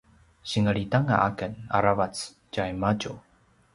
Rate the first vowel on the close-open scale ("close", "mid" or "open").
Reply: close